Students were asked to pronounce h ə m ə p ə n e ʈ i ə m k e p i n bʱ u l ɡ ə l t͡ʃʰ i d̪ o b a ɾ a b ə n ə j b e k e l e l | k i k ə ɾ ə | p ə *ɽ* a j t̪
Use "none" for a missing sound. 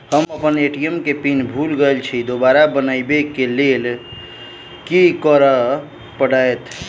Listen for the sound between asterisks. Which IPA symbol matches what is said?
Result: ɽ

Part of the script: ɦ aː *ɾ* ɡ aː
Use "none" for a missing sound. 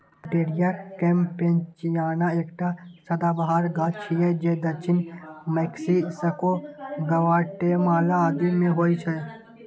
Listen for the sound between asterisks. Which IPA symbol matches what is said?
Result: ɾ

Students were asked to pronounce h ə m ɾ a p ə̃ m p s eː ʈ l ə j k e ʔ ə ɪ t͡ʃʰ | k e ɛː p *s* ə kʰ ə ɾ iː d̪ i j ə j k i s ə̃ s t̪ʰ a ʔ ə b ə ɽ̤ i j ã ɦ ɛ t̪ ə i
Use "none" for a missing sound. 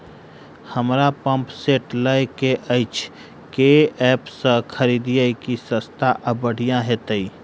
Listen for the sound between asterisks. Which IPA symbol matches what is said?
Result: s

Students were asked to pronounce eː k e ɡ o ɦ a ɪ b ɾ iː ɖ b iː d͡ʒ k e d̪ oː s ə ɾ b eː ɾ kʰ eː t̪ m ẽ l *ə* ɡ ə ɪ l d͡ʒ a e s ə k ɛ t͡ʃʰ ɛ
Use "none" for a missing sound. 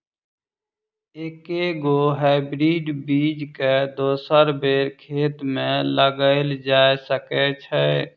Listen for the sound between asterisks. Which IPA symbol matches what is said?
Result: ə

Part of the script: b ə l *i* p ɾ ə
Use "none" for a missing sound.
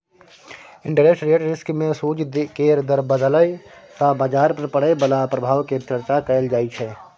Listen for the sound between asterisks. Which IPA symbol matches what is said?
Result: a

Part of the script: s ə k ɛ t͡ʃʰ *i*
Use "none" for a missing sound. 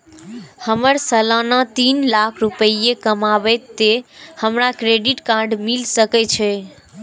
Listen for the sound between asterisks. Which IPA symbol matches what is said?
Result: ɛ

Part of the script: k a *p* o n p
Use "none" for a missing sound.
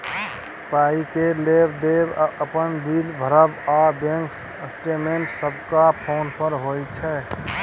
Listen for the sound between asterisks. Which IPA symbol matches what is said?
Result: pʰ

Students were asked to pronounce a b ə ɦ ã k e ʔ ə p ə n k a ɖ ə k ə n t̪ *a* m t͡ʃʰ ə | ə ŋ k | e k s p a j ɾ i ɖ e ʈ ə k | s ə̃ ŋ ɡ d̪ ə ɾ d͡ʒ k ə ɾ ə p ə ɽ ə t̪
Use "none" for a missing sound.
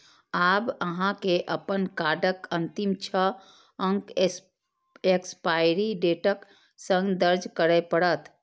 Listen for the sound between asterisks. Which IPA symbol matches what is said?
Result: i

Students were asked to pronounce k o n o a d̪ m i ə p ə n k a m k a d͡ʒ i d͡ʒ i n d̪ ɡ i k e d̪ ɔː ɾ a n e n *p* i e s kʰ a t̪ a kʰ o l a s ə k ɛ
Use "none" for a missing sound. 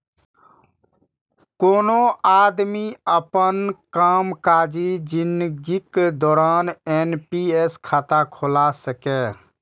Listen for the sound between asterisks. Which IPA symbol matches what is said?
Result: p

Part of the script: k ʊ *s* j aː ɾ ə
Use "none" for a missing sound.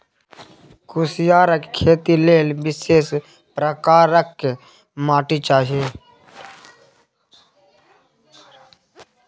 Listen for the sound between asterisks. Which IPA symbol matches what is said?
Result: s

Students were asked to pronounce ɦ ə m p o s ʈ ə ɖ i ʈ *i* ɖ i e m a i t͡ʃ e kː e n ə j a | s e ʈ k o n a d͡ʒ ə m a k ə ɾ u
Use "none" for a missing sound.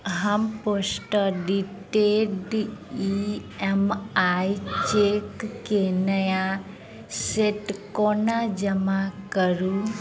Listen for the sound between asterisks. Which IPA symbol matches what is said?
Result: e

